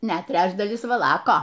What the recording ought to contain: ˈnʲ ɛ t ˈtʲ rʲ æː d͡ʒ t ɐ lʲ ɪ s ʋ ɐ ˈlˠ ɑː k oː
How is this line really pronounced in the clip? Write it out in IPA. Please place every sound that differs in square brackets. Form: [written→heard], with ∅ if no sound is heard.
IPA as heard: ˈnʲ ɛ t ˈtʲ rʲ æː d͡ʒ [t→d] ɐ lʲ ɪ s ʋ ɐ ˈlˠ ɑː k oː